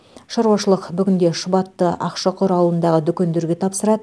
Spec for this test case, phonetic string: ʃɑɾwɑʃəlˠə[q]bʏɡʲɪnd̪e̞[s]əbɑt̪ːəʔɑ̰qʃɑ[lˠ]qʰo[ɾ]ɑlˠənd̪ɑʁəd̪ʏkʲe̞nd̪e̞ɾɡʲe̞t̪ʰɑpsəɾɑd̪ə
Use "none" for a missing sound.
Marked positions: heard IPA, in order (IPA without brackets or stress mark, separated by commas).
q, ʃ, none, ɾ